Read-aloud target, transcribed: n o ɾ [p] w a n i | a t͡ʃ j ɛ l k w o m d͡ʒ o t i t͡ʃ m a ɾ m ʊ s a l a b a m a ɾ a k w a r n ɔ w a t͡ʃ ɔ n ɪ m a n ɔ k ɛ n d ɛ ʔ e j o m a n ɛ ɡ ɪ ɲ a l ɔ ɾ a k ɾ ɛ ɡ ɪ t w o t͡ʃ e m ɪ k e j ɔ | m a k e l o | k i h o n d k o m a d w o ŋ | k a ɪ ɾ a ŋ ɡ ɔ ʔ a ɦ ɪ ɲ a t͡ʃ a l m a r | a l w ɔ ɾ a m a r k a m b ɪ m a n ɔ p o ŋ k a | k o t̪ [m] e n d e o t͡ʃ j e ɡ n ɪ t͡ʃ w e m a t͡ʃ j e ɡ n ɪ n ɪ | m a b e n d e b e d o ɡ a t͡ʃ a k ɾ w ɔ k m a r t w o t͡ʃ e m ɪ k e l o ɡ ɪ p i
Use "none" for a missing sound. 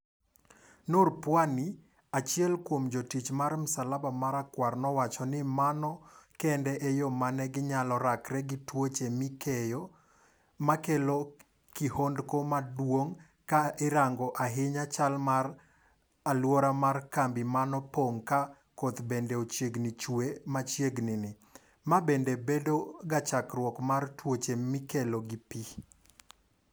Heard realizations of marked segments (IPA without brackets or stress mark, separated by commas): p, b